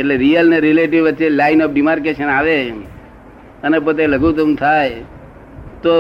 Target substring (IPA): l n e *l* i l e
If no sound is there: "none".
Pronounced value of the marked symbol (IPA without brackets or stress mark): ɾ